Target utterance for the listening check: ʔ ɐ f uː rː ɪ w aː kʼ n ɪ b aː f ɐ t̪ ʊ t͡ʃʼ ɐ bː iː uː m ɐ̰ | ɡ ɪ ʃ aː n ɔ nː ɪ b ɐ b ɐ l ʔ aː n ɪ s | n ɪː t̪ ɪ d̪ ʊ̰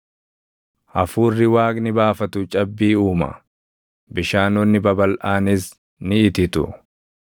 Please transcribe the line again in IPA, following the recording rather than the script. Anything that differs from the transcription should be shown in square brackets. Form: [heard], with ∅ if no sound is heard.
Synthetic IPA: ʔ ɐ f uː rː ɪ w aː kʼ n ɪ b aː f ɐ t̪ ʊ t͡ʃʼ ɐ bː iː uː m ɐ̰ | [b] ɪ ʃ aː n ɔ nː ɪ b ɐ b ɐ l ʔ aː n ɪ s | n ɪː t̪ ɪ [t̪] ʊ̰

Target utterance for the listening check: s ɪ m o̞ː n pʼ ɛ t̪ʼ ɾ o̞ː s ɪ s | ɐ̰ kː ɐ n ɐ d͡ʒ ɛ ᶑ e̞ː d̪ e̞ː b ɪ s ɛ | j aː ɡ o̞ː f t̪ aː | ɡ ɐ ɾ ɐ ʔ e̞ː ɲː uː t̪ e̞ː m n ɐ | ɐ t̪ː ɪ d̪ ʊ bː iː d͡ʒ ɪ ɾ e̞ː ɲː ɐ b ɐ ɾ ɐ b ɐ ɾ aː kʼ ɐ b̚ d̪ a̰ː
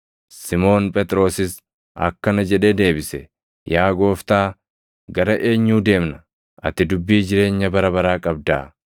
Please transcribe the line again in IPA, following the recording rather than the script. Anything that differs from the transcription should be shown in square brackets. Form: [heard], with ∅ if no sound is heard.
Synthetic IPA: s ɪ m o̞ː n pʼ ɛ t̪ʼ ɾ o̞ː s ɪ s | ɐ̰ kː ɐ n ɐ d͡ʒ ɛ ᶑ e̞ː d̪ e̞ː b ɪ s ɛ | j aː ɡ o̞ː f t̪ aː | ɡ ɐ ɾ ɐ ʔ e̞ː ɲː uː [d̪] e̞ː m n ɐ | ɐ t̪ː ɪ d̪ ʊ bː iː d͡ʒ ɪ ɾ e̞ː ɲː ɐ b ɐ ɾ ɐ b ɐ ɾ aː kʼ ɐ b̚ d̪ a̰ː

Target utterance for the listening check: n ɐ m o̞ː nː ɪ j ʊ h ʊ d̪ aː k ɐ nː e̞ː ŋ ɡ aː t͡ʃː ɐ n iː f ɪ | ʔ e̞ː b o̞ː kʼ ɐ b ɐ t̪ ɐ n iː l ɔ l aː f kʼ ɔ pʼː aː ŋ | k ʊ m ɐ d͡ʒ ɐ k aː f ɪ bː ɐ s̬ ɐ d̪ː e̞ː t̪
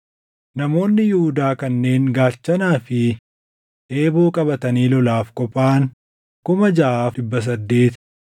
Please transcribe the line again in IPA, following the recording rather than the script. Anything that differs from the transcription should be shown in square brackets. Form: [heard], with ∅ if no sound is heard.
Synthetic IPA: n ɐ m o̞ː nː ɪ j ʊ h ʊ d̪ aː k ɐ nː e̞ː ŋ ɡ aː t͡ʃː ɐ n [aː] f ɪ | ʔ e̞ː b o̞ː kʼ ɐ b ɐ t̪ ɐ n iː l ɔ l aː f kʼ ɔ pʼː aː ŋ | k ʊ m ɐ d͡ʒ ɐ [ʔ] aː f ɪ bː ɐ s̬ ɐ d̪ː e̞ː t̪

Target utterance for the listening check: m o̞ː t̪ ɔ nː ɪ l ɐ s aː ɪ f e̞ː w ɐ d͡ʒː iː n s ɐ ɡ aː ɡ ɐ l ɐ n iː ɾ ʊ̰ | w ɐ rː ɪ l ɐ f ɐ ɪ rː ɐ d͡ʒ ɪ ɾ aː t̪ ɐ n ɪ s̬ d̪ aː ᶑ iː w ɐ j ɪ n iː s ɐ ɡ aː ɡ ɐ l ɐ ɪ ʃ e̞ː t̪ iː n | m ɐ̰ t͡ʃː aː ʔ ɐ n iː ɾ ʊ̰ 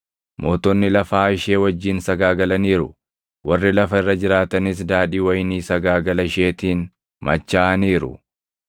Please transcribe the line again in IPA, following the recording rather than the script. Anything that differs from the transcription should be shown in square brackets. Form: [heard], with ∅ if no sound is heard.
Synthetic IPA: m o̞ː t̪ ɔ nː ɪ l ɐ [f] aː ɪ [ʃ] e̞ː w ɐ d͡ʒː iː n s ɐ ɡ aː ɡ ɐ l ɐ n iː ɾ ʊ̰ | w ɐ rː ɪ l ɐ f ɐ ɪ rː ɐ d͡ʒ ɪ ɾ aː t̪ ɐ n ɪ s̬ d̪ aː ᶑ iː w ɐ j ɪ n iː s ɐ ɡ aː ɡ ɐ l ɐ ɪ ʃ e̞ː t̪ iː n | m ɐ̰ t͡ʃː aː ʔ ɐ n iː ɾ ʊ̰

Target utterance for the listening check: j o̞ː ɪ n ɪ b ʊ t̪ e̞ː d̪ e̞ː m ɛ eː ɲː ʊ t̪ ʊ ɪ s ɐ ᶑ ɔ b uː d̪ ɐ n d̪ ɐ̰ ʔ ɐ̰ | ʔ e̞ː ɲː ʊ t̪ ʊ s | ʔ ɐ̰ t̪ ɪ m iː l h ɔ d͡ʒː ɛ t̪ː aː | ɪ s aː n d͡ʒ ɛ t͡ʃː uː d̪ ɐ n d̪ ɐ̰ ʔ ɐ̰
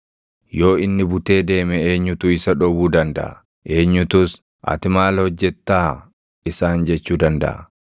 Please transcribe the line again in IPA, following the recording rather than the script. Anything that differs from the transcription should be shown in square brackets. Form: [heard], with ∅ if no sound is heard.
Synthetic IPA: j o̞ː ɪ [nː] ɪ b ʊ t̪ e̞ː d̪ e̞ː m ɛ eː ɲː ʊ t̪ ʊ ɪ s ɐ ᶑ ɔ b uː d̪ ɐ n d̪ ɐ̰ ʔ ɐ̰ | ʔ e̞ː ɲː ʊ t̪ ʊ s | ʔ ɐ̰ t̪ ɪ m [aː] l h ɔ d͡ʒː ɛ t̪ː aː | ɪ s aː n d͡ʒ ɛ t͡ʃː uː d̪ ɐ n d̪ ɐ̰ ʔ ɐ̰

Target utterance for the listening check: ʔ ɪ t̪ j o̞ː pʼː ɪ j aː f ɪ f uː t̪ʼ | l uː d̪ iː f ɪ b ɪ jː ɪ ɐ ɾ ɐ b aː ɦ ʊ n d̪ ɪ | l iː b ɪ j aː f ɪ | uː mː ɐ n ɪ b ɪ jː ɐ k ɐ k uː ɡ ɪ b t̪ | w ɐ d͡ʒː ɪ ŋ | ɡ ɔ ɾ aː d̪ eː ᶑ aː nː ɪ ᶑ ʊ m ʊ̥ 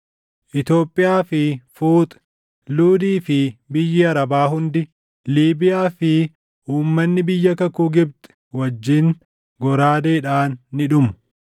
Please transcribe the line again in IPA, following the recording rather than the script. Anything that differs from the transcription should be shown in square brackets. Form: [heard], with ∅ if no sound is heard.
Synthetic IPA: ʔ ɪ t̪ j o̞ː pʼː ɪ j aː f ɪ f uː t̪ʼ | l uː d̪ iː f ɪ b ɪ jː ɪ ɐ ɾ ɐ b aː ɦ ʊ n d̪ ɪ | l iː b ɪ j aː f ɪ | uː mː ɐ [nː] ɪ b ɪ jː ɐ k ɐ k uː ɡ ɪ b t̪ | w ɐ d͡ʒː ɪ ŋ | ɡ ɔ ɾ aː d̪ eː ᶑ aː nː ɪ ᶑ ʊ m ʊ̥

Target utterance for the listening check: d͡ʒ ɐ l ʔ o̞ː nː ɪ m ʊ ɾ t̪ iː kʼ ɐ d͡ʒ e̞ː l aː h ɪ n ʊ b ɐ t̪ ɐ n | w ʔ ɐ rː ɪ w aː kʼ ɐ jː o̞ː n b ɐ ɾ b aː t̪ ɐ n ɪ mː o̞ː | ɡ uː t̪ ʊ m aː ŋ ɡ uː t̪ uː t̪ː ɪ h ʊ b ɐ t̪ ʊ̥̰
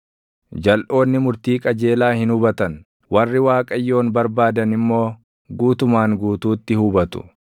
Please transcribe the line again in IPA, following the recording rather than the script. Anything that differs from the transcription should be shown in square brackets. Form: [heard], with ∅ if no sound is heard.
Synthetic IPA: d͡ʒ ɐ l ʔ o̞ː nː ɪ m ʊ ɾ t̪ iː kʼ ɐ d͡ʒ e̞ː l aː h ɪ n ʊ b ɐ t̪ ɐ n | w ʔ ɐ rː ɪ w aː kʼ ɐ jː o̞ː n b ɐ ɾ b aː [d̪] ɐ n ɪ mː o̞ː | ɡ uː t̪ ʊ m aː ŋ ɡ uː t̪ uː t̪ː ɪ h ʊ b ɐ t̪ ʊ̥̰

